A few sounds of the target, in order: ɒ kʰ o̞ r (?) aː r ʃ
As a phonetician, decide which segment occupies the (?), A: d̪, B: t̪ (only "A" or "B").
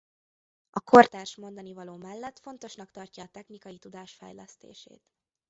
B